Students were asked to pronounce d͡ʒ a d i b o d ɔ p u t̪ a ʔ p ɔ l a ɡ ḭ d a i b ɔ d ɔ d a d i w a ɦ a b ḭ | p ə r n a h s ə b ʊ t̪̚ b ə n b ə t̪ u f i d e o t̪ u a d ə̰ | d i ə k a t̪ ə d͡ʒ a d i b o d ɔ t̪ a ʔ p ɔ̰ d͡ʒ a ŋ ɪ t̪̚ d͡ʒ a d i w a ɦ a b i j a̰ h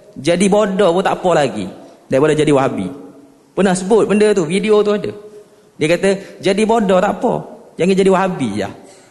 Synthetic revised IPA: d͡ʒ a d i b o d ɔ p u t̪ a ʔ p ɔ l a ɡ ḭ d a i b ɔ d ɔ d͡ʒ a d i w a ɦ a b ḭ | p ə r n a h s ə b ʊ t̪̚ b ə n d ə t̪ u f i d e o t̪ u a d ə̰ | d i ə k a t̪ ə d͡ʒ a d i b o d ɔ t̪ a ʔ p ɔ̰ d͡ʒ a ŋ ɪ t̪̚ d͡ʒ a d i w a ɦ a b i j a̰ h